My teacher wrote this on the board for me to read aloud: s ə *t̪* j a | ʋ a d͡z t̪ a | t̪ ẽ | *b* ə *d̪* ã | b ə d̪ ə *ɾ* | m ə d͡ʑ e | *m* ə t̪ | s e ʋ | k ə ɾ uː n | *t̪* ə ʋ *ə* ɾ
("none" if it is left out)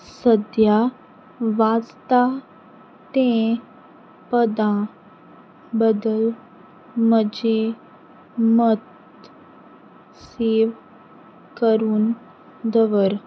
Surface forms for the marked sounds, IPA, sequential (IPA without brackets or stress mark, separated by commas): d̪, p, d̪, l, m, d̪, ə